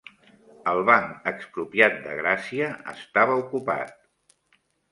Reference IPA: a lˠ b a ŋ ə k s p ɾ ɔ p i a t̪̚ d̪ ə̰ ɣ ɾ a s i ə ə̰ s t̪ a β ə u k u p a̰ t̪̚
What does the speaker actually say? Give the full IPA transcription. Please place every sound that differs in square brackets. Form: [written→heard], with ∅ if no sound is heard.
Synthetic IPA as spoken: [a→ə] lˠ [b→β] a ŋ ə k s p ɾ [ɔ→u] p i a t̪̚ d̪ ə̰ ɣ ɾ a s i ə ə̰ s t̪ a β ə u k u p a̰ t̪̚

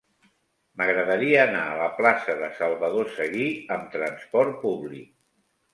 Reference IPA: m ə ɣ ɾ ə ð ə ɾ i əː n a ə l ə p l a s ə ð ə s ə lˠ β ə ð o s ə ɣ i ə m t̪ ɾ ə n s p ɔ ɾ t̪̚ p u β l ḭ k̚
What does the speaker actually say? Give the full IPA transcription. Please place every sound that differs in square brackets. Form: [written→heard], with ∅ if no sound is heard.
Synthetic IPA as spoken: m ə ɣ ɾ ə ð ə ɾ i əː n a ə l ə p l a s ə ð ə s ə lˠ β ə ð o s ə ɣ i ə m t̪ ɾ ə n s p ɔ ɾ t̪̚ p u β l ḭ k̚

